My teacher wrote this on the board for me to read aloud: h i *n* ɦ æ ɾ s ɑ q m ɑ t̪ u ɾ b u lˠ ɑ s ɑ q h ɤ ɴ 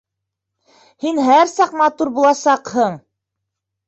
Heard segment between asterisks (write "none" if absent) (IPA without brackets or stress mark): n